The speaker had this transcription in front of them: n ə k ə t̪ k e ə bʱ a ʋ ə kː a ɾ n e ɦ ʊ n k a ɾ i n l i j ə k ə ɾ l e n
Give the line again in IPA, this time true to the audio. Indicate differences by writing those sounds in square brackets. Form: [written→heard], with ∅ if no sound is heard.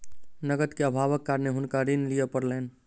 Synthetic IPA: n ə [k→ɡ] ə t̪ k e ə bʱ a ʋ ə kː a ɾ n e ɦ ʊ n k a ɾ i n l i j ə [k→p] ə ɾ l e n